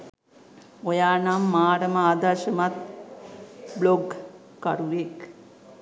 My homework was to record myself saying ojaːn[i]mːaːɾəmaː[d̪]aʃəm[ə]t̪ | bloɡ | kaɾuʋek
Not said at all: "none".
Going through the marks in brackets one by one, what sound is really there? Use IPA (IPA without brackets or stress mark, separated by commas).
a, d̪, a